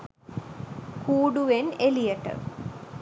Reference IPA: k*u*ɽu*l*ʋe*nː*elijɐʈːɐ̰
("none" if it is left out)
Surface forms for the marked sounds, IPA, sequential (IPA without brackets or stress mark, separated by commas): uː, none, n